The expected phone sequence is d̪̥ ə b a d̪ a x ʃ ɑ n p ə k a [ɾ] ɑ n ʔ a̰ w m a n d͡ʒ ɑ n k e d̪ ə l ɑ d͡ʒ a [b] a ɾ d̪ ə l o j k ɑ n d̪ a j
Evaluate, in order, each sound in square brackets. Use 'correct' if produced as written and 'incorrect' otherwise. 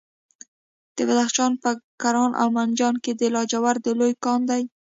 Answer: correct, incorrect

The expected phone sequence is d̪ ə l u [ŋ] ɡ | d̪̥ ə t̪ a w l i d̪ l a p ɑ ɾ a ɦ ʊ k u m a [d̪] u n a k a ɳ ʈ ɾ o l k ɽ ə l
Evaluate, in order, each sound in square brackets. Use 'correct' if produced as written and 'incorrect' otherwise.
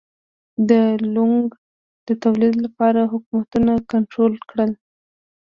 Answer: correct, incorrect

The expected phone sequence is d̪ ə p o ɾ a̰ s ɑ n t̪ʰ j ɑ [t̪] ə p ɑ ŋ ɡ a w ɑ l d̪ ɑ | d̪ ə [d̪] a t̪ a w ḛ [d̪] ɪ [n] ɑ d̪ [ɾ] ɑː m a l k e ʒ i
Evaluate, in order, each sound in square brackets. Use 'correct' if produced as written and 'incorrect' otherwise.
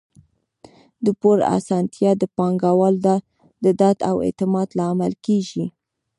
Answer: incorrect, correct, incorrect, incorrect, incorrect

